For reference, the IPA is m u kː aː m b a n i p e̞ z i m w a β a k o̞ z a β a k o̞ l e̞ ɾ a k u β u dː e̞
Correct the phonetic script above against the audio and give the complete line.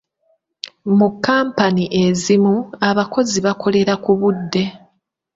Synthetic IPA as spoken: m u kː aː m p a n i ʔ e̞ z i m u a β a k o̞ z i β a k o̞ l e̞ ɾ a k u β u dː e̞